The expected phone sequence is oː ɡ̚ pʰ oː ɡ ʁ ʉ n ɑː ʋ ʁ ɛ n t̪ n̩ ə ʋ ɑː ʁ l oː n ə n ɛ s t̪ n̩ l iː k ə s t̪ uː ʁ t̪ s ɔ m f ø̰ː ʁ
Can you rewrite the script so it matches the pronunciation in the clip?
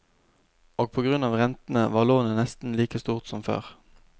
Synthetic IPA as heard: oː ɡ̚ pʰ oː ɡ ʁ ʉ n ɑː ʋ ʁ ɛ n t̪ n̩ ə ʋ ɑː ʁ l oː n ə n ɛ s t̪ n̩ l iː k ə s t̪ uː ʁ t̪ s ɔ m f ø̰ː ʁ